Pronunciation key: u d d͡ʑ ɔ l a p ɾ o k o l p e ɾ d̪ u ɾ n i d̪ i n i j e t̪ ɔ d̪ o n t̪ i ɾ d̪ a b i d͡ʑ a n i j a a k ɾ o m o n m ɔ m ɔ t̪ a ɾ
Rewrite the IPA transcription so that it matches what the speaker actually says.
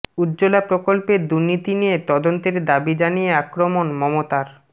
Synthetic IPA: u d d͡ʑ o l a p ɾ o k o l p e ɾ d̪ u ɾ n i t̪ i n i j e t̪ ɔ d̪ o n t̪ e ɾ d̪ a b i d͡ʑ a n i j e a k ɾ o m o n m ɔ m o t̪ a ɾ